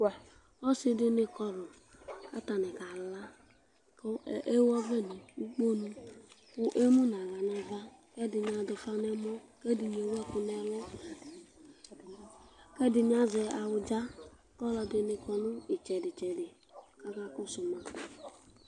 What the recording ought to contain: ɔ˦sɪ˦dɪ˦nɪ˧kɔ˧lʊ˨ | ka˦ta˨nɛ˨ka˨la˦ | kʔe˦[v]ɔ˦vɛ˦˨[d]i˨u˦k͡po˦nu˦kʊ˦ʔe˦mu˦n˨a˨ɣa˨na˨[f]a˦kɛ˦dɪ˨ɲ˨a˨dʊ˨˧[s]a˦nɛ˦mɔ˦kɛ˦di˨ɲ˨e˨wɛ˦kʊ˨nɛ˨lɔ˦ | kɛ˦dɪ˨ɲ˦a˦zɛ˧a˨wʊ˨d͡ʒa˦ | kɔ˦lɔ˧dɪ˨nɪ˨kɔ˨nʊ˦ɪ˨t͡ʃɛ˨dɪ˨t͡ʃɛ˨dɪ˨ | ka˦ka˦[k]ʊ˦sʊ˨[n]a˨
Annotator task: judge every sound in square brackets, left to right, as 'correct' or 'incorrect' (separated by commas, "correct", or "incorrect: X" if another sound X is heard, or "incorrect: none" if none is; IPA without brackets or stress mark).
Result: incorrect: w, incorrect: n, incorrect: v, incorrect: f, correct, incorrect: m